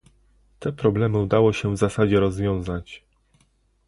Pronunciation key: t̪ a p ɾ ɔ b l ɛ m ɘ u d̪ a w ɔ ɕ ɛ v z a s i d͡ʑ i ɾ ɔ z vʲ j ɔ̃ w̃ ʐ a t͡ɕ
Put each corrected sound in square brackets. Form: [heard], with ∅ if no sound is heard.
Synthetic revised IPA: t̪ [ɛ] p ɾ ɔ b l ɛ m ɘ u d̪ a w ɔ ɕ ɛ v z a s [a] d͡ʑ [ɛ] ɾ ɔ z vʲ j ɔ̃ w̃ [z] a t͡ɕ